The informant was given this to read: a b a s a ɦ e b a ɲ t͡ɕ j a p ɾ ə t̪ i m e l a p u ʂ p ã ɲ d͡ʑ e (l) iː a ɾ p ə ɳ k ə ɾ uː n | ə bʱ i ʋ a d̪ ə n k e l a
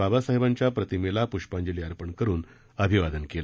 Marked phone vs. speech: correct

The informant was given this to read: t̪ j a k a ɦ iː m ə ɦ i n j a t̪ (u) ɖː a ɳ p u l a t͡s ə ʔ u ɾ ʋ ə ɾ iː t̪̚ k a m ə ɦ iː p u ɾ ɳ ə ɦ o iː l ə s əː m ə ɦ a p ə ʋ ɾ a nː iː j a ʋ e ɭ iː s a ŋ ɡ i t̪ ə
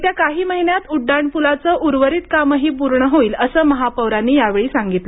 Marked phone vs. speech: correct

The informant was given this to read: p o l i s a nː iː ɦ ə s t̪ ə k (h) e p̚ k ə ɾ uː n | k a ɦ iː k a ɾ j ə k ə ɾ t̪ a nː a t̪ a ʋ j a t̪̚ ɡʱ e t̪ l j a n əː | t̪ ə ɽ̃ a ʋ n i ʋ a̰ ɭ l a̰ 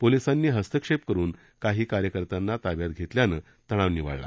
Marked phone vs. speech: incorrect: ʂ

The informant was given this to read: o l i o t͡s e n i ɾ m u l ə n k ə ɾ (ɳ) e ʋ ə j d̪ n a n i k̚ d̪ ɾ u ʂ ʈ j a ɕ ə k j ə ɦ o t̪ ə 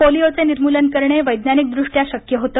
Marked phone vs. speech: correct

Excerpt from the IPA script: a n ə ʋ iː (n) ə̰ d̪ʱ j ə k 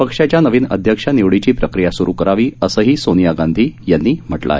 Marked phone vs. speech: correct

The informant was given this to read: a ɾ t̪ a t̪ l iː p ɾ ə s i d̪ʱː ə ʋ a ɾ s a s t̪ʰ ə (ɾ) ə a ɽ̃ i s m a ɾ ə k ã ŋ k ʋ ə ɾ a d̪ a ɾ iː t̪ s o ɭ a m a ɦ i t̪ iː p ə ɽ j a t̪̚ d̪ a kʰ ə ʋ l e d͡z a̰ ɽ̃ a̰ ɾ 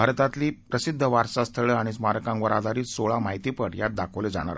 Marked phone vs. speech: incorrect: ɭ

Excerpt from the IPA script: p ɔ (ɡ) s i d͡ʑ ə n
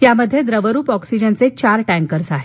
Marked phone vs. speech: incorrect: k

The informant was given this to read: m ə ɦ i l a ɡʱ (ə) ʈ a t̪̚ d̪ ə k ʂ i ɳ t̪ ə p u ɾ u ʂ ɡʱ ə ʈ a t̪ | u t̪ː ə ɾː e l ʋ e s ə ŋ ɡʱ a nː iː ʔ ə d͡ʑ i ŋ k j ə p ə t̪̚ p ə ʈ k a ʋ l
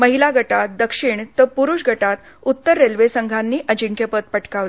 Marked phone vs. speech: correct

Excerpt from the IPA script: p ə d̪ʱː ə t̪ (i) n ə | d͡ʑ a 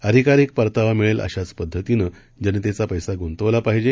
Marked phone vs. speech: correct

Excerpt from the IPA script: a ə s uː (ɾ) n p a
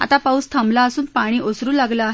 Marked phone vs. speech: incorrect: none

